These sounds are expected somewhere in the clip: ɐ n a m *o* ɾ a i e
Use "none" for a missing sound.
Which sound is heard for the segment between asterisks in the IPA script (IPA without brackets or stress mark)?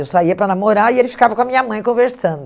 o